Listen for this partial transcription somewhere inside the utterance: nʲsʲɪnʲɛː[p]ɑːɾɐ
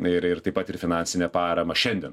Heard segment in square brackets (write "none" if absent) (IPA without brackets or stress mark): p